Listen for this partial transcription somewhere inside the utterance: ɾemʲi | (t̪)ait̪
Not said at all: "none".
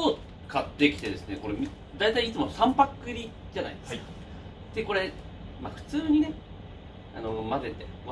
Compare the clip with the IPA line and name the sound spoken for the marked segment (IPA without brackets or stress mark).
d̪